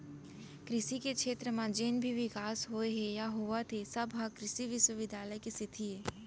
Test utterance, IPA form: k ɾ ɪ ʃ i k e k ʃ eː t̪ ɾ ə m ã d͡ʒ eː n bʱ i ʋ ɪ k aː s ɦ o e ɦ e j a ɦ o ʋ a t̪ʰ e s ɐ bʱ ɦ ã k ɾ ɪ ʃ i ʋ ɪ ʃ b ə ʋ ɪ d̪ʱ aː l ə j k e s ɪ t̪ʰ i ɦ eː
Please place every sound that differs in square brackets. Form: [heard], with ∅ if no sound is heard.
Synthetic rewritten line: k ɾ ɪ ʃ i k e k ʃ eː t̪ ɾ ə m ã d͡ʒ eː n bʱ i ʋ ɪ k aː s ɦ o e ɦ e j a ɦ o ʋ a t̪ʰ e s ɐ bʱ ɦ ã k ɾ ɪ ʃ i ʋ ɪ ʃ [w] ə ʋ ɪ d̪ʱ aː l ə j k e s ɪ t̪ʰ i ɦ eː